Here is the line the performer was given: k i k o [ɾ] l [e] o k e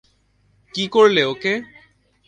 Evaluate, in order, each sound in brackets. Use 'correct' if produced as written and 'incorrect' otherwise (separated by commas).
incorrect, correct